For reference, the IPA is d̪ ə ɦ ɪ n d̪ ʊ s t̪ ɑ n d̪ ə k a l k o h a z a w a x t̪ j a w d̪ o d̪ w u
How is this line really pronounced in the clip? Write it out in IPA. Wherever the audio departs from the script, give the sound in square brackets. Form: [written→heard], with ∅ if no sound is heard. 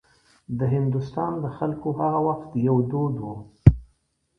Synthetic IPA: d̪ ə ɦ ɪ n d̪ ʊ s t̪ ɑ n d̪ ə [k→x] a l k o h a [z→ɣ] a w a x t̪ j a w d̪ o d̪ w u